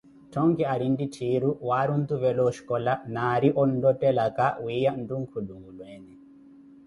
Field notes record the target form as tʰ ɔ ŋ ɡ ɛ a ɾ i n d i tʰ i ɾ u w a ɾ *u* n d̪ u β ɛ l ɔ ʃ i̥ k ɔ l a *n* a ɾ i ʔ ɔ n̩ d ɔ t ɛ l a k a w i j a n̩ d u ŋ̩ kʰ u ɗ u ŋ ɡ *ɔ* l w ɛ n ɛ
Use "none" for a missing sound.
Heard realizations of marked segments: u, n, u

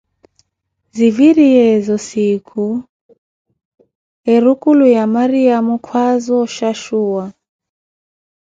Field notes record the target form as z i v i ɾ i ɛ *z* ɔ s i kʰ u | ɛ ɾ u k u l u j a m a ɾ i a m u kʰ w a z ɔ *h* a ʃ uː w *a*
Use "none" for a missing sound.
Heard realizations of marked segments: z, ʃ, a

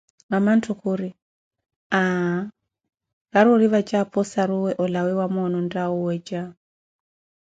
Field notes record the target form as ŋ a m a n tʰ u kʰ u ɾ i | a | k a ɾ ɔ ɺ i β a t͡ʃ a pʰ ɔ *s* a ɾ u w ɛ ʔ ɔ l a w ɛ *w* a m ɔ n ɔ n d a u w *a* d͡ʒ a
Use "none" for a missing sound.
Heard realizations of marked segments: s, w, ɛ

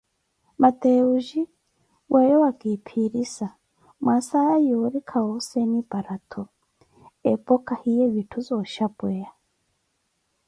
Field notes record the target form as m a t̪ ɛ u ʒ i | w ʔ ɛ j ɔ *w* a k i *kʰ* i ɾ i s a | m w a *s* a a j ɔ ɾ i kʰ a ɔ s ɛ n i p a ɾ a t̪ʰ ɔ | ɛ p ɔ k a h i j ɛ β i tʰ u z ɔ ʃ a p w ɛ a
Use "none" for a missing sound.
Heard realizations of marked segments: w, pʰ, s

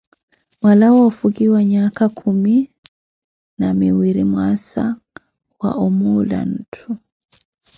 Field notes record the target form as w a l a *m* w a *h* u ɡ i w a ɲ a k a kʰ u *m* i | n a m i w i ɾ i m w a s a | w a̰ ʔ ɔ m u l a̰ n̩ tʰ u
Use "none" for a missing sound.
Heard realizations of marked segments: none, f, m

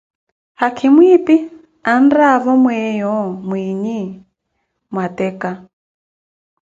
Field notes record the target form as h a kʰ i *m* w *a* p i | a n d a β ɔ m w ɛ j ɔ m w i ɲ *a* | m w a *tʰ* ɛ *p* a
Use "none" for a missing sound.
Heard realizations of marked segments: m, i, i, t, k

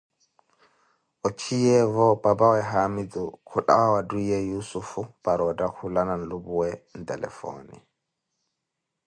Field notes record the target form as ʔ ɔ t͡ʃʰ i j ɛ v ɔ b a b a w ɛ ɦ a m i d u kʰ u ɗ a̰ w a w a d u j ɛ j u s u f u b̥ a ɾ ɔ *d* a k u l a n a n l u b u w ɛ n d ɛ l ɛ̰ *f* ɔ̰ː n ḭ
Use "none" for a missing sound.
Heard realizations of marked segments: d, f

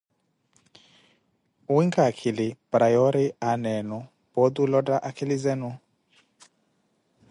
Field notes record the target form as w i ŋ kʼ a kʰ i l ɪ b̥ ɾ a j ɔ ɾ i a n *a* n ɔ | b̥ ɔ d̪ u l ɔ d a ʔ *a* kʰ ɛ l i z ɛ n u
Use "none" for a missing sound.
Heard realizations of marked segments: ɛ, a

